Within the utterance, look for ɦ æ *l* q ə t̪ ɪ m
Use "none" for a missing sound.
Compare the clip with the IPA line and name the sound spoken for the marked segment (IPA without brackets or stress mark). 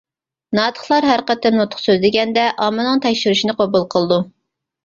ɾ